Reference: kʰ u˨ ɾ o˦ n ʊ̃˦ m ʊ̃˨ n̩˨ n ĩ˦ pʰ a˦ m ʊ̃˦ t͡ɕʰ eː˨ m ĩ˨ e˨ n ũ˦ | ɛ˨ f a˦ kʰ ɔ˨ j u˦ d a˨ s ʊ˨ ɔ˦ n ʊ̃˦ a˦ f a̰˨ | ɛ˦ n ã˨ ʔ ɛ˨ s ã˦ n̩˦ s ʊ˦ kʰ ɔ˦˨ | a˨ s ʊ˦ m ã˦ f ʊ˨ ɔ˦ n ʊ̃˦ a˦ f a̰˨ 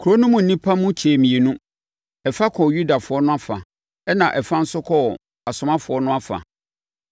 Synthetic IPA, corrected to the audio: kʰ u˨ ɾ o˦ n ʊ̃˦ m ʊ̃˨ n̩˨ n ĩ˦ pʰ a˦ m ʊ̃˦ t͡ɕʰ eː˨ m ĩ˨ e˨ n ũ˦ | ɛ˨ f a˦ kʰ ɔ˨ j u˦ d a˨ f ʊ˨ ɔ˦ n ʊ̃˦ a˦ f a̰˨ | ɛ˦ n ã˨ ʔ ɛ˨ f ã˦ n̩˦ s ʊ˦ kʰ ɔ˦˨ | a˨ s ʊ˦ m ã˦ f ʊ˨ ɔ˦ n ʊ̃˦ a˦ f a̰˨